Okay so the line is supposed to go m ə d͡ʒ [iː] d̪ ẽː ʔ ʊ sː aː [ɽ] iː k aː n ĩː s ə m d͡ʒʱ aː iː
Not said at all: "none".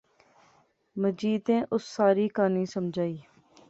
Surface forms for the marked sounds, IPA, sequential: iː, ɾ

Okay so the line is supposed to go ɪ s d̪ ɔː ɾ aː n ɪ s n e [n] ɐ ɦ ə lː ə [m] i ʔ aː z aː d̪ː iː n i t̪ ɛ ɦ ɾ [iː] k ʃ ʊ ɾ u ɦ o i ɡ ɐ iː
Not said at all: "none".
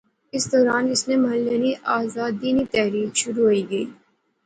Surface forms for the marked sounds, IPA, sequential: m, n, iː

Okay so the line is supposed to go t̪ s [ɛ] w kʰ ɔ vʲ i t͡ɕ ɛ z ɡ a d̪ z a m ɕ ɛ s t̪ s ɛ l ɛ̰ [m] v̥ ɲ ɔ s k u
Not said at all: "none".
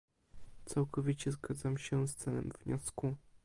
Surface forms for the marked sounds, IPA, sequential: a, m

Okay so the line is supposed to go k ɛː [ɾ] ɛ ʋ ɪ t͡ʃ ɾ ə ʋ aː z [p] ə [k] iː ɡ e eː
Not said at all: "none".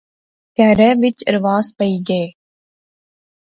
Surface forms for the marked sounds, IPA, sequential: ɾ, p, none

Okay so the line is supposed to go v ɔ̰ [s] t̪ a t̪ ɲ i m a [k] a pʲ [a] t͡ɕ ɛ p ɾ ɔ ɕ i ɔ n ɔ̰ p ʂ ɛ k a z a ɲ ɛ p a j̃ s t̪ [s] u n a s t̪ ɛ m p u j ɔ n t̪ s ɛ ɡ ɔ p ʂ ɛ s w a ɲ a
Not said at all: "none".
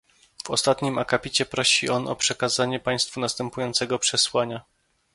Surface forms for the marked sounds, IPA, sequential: s, k, i, f

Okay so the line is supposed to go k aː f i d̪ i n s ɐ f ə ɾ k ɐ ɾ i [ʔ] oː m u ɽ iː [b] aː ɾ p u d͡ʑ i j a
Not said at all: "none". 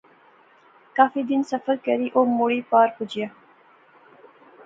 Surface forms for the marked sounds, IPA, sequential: ʔ, p

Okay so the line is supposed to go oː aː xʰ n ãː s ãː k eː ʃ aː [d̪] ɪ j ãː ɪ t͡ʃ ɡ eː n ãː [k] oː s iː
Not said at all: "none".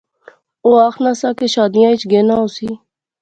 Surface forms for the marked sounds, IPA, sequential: d̪, none

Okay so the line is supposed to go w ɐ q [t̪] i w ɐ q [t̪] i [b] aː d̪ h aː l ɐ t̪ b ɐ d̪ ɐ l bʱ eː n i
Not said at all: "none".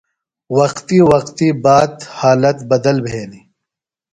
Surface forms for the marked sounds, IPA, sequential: t̪, t̪, b

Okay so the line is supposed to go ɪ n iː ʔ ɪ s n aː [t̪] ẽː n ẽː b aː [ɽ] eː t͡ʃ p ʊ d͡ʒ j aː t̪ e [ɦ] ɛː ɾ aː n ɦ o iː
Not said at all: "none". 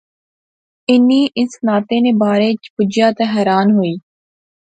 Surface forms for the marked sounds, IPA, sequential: t̪, ɾ, ɦ

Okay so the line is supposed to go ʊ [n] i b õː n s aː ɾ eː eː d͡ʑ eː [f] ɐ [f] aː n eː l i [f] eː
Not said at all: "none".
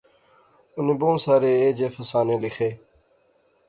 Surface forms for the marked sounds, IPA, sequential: n, f, s, x

